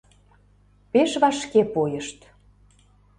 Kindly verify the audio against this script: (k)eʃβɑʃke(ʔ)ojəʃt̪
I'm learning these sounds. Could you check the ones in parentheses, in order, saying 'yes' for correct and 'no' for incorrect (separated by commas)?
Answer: no, no